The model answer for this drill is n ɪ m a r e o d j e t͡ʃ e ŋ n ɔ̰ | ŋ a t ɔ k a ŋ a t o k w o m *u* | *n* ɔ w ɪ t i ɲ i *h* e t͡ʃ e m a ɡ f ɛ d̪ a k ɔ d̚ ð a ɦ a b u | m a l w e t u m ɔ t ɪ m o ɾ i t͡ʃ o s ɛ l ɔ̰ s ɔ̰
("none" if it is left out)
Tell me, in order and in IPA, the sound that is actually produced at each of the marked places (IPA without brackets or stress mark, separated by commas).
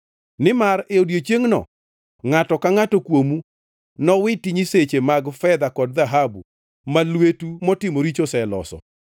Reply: u, n, s